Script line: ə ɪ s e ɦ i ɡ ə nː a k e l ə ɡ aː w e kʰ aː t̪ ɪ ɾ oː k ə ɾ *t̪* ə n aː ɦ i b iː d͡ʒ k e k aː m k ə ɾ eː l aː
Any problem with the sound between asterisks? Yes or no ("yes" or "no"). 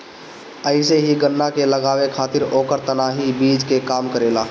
no